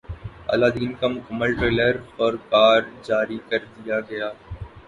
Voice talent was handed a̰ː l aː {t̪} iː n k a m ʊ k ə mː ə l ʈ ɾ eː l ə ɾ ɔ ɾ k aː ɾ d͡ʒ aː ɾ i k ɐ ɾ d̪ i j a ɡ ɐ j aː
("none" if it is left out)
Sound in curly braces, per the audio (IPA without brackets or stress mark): d̪